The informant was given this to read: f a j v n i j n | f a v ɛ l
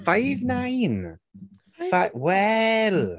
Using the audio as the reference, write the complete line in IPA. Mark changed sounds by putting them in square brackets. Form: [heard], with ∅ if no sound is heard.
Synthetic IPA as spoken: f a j v n [a] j n | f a [w] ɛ l